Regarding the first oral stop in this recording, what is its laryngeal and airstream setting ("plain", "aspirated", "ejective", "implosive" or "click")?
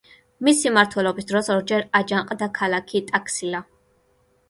aspirated